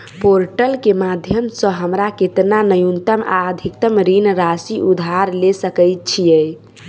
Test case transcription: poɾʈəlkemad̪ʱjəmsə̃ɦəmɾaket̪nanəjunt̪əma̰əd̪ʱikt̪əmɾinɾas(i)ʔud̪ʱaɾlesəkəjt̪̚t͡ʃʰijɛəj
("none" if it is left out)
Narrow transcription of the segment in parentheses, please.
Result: i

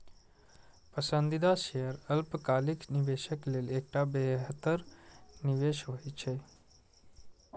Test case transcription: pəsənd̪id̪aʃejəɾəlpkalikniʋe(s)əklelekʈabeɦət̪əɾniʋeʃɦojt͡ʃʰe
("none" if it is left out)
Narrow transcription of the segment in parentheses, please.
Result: ʃ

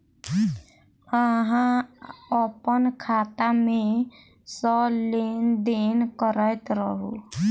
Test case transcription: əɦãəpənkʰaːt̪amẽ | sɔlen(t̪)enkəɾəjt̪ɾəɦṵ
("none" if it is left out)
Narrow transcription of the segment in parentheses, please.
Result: d̪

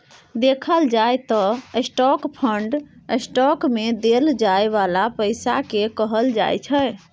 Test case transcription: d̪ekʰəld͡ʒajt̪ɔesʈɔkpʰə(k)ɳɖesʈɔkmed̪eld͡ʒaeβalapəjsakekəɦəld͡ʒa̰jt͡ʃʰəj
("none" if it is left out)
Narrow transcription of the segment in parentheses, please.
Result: none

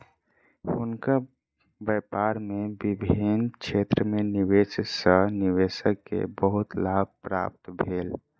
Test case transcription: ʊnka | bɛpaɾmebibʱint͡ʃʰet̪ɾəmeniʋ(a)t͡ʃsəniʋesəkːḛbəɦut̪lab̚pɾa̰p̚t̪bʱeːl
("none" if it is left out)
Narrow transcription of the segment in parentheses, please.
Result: e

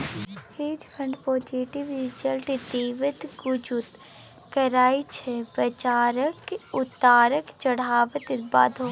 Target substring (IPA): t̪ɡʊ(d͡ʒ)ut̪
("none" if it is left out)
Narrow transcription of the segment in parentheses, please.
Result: d͡ʒ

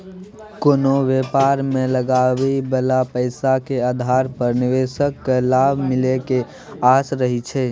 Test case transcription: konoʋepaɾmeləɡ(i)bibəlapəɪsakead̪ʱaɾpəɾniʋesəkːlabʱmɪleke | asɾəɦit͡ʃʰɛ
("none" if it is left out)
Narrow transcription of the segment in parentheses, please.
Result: a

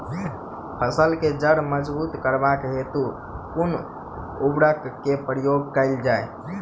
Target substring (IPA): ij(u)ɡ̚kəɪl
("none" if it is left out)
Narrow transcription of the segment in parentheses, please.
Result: o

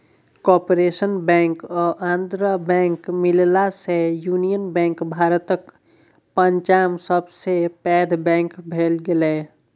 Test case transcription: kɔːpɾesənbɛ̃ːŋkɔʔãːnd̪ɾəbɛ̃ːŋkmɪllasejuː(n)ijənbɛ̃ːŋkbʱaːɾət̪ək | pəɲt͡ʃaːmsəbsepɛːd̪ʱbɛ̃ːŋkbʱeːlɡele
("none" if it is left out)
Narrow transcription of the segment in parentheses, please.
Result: n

